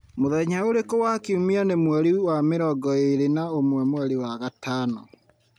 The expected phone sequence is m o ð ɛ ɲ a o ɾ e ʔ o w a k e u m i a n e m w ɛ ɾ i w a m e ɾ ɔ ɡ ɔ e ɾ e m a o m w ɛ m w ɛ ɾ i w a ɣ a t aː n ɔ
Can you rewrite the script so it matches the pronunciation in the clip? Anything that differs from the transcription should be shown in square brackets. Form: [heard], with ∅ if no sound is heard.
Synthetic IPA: m o ð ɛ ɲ a o ɾ e [k] o w a k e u m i a n e m w ɛ ɾ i w a m e ɾ ɔ ɡ ɔ e ɾ e [n] a o m w ɛ m w ɛ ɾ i w a ɣ a t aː n ɔ